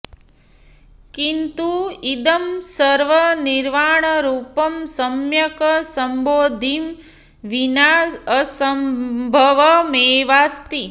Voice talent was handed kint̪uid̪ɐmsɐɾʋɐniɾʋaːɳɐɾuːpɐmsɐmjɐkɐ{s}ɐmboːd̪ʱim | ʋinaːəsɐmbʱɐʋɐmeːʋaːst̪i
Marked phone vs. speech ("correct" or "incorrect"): correct